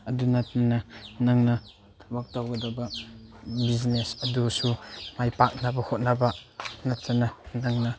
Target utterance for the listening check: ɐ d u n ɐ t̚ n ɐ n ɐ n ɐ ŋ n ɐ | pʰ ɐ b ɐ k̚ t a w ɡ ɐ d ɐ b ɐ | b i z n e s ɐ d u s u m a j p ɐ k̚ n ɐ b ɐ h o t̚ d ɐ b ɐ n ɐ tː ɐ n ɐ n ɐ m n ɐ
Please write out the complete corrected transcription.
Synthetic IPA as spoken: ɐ d u n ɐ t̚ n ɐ n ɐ n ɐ ŋ n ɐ | tʰ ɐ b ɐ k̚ t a w ɡ ɐ d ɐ b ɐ | b i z n e s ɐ d u s u m a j p a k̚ n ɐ b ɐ h o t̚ n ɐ b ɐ n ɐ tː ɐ n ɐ n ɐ ŋ n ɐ